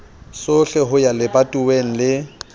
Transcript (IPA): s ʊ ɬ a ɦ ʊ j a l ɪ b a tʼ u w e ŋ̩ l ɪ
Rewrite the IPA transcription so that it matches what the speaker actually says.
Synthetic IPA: s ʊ ɬ ɛ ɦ ʊ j a l ɪ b a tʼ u w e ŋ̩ l ɪ